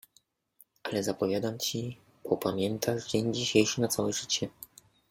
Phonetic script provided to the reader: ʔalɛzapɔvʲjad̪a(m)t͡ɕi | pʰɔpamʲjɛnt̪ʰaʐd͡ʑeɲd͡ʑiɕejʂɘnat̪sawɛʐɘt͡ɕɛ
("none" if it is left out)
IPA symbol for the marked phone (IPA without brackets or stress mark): m